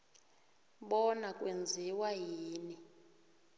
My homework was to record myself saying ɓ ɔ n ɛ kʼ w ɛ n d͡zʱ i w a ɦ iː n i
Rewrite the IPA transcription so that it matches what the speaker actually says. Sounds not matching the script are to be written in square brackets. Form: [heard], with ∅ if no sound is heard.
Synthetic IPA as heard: ɓ ɔ n [a] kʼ w [e] n d͡zʱ i w a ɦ iː n i